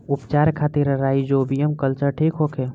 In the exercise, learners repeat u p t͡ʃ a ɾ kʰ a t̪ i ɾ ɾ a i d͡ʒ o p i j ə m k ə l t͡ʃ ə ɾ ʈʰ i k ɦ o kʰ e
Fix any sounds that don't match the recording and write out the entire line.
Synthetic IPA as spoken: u p t͡ʃ a ɾ kʰ a t̪ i ɾ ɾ a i d͡ʒ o b i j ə m k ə l t͡ʃ ə ɾ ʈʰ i k ɦ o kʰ e